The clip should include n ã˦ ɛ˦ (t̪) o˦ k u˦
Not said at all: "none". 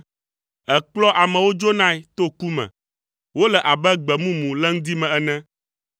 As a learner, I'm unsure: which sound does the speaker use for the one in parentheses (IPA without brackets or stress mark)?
t̪